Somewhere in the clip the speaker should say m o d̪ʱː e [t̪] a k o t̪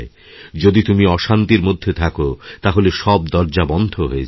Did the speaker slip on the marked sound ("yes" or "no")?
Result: yes